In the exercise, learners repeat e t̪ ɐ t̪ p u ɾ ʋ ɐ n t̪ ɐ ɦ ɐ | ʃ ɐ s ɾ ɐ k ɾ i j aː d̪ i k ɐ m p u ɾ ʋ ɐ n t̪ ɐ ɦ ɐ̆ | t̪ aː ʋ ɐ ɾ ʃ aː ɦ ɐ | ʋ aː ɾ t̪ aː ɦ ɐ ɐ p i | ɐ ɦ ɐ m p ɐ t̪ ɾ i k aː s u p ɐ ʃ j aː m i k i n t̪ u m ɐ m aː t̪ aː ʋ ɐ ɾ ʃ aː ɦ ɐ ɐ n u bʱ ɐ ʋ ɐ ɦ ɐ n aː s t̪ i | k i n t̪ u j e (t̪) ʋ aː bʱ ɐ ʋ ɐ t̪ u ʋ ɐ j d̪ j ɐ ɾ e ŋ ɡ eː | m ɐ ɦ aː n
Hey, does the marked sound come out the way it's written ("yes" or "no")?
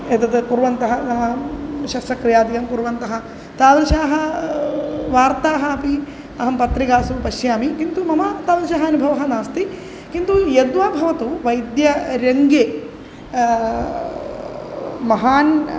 no